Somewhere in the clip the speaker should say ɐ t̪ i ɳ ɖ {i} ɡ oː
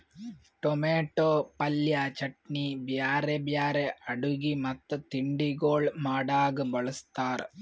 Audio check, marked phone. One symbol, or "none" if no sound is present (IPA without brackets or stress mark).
i